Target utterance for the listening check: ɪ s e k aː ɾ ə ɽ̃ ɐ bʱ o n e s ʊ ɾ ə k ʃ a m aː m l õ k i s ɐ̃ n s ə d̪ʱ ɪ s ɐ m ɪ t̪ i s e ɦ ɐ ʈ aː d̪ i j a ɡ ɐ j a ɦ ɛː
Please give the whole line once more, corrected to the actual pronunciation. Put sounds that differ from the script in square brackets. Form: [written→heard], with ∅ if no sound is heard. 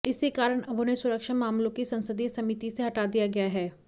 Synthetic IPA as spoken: ɪ s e k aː ɾ ə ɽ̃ ɐ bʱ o n e s ʊ ɾ ə k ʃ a m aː m l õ k i s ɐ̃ n s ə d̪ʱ [ɪ→i] s ɐ m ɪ t̪ i s e ɦ ɐ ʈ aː d̪ i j a ɡ ɐ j a ɦ ɛː